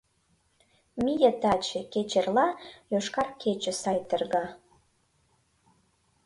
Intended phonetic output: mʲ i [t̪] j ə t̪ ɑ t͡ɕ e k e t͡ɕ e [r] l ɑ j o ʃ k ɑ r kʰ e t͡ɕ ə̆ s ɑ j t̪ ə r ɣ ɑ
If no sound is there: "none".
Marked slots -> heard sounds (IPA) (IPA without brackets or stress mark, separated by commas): none, r